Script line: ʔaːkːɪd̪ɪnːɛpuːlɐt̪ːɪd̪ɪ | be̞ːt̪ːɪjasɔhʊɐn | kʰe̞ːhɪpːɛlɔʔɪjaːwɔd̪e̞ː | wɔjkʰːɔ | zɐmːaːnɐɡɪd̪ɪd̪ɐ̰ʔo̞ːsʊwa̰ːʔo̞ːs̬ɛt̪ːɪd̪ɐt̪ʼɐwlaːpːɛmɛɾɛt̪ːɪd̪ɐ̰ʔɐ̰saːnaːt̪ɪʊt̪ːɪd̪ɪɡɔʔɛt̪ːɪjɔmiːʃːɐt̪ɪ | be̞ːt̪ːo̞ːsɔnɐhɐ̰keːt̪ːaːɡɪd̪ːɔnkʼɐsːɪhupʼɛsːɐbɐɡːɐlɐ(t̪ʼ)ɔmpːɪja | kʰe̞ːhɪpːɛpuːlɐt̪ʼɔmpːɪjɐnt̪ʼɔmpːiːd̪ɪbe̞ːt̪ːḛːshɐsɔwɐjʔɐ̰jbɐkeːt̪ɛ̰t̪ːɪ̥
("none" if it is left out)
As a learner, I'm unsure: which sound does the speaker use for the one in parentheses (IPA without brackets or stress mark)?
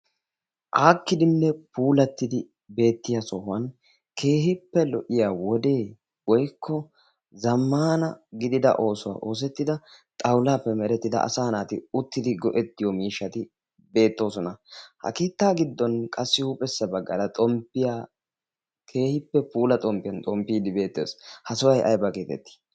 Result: t̪ʼ